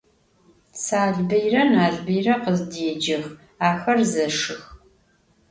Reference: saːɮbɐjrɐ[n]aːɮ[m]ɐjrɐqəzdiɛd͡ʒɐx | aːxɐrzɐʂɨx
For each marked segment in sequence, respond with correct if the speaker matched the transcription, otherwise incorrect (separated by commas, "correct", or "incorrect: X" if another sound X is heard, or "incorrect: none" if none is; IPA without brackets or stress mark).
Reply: correct, incorrect: b